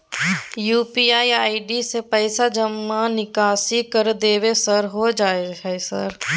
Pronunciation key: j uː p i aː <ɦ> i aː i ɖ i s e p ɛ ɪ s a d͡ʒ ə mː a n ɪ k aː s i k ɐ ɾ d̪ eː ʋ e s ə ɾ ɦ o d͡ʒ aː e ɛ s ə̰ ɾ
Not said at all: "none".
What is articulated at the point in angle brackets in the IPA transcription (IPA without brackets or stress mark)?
none